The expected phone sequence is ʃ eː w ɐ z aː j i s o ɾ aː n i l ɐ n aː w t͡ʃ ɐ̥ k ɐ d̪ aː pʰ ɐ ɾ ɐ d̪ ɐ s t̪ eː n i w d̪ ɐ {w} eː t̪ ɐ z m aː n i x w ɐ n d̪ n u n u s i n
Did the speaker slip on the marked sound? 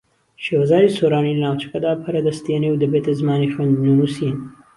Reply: yes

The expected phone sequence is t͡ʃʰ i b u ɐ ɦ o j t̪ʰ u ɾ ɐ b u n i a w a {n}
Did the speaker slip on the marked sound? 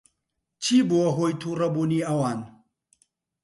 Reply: no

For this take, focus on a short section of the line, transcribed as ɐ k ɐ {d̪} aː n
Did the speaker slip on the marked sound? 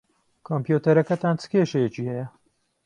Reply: yes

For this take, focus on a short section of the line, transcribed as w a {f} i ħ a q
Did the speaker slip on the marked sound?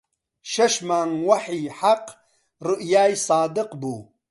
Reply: yes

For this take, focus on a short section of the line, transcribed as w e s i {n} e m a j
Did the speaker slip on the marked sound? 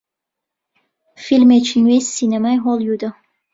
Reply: no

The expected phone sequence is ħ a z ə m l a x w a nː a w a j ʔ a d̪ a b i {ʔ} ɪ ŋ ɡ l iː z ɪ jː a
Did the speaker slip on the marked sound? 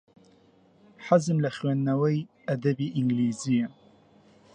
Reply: no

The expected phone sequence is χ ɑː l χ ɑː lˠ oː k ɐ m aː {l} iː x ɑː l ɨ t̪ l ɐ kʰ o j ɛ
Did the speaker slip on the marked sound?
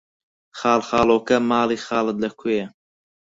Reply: no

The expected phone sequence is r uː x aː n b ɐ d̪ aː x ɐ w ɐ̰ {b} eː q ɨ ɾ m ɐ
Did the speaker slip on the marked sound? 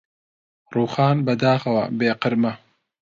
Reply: no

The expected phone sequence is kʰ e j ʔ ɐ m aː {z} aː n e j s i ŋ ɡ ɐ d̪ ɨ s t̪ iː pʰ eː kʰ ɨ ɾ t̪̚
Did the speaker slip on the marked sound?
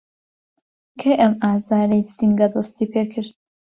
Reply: no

